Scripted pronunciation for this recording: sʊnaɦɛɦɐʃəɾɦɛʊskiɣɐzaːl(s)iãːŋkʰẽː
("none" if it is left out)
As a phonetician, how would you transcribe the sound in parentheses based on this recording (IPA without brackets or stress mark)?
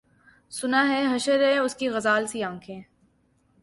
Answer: s